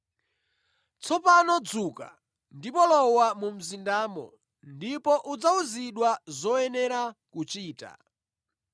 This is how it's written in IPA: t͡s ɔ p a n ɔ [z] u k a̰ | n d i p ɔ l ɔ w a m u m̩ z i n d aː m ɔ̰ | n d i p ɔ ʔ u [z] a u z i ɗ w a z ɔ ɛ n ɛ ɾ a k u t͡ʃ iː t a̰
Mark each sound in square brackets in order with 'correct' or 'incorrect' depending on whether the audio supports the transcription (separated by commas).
incorrect, incorrect